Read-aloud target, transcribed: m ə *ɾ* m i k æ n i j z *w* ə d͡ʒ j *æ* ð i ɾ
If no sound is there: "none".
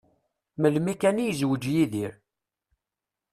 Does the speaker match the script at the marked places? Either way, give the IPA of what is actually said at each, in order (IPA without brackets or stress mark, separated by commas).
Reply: l, w, i